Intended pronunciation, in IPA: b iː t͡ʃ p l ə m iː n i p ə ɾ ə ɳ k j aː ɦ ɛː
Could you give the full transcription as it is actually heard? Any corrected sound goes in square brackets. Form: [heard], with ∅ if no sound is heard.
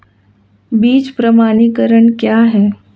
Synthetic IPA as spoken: b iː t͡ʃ p [ɾ] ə m [aː] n i [k] ə ɾ ə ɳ k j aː ɦ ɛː